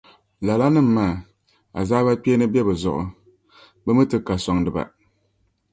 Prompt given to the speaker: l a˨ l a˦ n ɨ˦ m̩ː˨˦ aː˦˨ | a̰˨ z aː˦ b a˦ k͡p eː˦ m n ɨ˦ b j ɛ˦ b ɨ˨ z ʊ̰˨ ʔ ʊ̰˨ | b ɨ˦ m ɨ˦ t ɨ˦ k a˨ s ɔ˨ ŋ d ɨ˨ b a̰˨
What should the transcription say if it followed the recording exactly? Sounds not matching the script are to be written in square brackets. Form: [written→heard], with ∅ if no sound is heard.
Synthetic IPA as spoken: l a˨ l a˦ n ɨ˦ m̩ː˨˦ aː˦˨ | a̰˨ z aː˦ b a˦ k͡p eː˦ [m→∅] n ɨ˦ b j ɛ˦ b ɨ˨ z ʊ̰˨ ʔ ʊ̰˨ | b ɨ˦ m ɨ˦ t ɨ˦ k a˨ s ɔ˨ ŋ d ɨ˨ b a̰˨